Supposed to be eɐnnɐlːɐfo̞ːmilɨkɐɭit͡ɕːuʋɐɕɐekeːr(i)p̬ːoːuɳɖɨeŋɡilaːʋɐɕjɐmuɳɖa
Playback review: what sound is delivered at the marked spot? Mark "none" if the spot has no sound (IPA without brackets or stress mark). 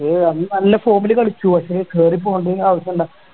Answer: i